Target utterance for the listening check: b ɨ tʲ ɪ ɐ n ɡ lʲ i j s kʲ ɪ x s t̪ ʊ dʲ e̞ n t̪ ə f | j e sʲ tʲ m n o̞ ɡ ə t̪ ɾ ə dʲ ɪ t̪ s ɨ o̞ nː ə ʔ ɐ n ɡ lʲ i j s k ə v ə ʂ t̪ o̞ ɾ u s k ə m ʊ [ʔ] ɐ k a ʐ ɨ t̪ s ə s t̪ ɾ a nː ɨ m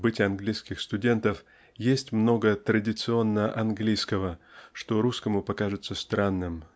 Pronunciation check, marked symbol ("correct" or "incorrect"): incorrect